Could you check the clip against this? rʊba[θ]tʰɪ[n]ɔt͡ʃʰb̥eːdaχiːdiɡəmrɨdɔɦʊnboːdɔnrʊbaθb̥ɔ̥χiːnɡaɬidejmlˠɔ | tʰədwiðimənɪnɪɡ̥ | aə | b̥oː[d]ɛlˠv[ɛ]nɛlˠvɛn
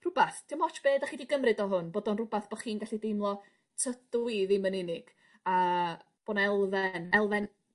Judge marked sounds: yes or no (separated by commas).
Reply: yes, no, no, yes